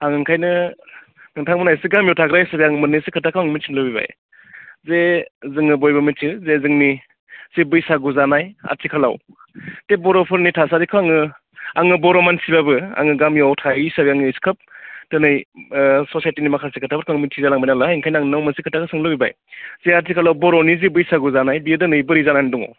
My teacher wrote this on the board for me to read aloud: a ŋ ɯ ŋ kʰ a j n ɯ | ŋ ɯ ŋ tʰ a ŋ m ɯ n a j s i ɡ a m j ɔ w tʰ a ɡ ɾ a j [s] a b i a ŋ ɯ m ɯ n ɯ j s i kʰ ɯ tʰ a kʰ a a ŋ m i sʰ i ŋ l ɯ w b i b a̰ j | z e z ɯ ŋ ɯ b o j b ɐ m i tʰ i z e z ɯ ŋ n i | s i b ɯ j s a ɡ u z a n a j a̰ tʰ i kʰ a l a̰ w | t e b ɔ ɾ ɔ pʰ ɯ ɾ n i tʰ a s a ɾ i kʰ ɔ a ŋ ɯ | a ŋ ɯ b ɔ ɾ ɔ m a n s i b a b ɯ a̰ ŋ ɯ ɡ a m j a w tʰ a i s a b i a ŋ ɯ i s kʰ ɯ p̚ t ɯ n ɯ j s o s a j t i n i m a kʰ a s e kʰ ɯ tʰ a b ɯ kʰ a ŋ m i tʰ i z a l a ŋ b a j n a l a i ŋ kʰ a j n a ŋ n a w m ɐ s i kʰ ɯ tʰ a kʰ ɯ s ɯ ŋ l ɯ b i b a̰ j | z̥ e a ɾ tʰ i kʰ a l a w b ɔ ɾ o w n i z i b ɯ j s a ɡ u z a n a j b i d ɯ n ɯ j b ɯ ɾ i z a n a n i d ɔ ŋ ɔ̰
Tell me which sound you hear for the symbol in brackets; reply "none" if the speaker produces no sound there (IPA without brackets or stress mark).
s